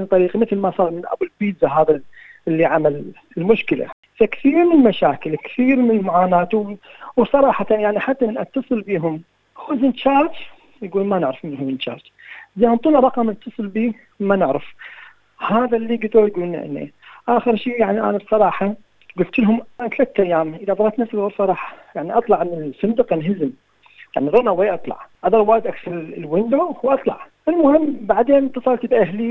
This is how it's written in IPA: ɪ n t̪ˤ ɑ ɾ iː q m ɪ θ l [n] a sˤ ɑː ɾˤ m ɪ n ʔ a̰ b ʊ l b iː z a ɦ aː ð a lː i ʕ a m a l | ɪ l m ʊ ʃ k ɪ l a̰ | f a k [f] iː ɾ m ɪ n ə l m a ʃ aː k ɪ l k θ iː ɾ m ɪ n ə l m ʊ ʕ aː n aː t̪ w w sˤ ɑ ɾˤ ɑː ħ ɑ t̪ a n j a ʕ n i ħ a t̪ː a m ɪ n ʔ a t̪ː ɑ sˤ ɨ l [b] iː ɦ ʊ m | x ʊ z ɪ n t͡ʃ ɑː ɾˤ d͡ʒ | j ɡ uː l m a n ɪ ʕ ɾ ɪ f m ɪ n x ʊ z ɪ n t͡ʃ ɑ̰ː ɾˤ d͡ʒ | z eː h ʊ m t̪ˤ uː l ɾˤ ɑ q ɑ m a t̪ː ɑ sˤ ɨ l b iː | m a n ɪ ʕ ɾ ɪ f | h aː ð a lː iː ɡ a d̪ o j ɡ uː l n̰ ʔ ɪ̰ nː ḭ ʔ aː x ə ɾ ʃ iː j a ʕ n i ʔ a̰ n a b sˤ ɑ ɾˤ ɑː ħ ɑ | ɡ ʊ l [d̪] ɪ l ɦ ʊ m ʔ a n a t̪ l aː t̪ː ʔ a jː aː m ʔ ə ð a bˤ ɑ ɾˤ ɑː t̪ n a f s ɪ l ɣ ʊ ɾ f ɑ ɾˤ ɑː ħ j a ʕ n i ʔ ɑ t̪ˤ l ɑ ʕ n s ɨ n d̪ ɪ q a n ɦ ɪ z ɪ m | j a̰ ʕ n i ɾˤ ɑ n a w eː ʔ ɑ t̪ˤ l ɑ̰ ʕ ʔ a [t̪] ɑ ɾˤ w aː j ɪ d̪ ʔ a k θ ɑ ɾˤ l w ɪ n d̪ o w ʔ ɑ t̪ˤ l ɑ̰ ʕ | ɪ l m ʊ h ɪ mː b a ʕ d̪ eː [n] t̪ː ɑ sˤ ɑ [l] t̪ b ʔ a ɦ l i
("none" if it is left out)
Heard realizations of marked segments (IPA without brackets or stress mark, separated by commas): m, θ, b, t̪, d̪, n, l